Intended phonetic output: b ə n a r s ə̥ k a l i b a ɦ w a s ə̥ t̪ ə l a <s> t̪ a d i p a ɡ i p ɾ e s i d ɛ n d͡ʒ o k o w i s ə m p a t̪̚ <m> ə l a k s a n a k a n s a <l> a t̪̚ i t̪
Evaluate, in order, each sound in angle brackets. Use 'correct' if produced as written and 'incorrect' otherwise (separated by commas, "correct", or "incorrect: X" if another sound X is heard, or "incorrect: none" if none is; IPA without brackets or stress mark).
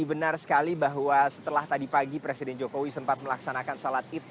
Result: incorrect: h, correct, correct